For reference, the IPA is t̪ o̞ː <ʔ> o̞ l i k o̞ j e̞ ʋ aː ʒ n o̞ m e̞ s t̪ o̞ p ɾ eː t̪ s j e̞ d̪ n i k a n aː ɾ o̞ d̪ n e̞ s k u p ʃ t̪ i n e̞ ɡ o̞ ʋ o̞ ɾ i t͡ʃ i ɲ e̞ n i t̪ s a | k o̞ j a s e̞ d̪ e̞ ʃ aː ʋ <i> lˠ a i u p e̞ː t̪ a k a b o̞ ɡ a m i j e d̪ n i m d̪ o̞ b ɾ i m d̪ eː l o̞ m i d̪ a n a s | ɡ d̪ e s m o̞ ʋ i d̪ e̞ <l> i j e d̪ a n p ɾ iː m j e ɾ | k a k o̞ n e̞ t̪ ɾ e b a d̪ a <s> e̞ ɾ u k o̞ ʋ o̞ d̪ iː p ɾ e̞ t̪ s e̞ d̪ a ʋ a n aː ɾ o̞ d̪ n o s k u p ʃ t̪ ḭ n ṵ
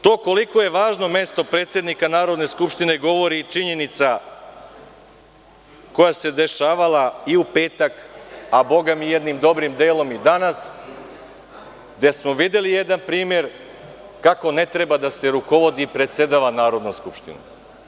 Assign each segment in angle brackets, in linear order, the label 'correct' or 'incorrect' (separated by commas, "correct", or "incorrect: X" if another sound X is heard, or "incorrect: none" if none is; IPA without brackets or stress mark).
incorrect: k, incorrect: a, correct, correct